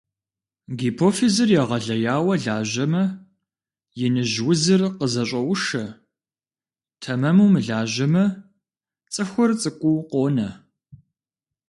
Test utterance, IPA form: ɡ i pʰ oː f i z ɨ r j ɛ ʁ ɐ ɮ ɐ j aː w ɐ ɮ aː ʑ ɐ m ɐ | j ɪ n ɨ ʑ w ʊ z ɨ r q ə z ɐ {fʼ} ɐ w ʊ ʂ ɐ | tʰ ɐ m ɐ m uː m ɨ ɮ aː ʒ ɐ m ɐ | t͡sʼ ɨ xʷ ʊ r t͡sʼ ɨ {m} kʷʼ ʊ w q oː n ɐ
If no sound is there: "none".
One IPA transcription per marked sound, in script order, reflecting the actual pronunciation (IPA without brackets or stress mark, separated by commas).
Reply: ɕʼ, none